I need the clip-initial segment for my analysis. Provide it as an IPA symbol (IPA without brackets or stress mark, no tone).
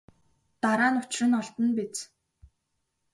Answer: t̪